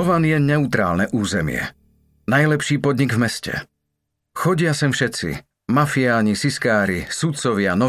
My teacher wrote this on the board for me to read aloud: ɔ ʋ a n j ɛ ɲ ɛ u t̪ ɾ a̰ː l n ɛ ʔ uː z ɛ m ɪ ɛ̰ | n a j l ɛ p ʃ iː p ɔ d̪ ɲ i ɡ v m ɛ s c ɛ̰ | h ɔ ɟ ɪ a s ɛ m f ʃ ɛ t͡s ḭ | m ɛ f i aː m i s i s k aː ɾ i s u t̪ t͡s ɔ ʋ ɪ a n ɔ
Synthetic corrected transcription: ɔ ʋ a n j ɛ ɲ ɛ u t̪ ɾ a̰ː l n ɛ ʔ uː z ɛ m ɪ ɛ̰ | n a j l ɛ p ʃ iː p ɔ d̪ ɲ i ɡ v m ɛ s c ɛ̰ | x ɔ ɟ ɪ a s ɛ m f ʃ ɛ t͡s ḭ | m a f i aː ɲ i s i s k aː ɾ i s u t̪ t͡s ɔ ʋ ɪ a n ɔ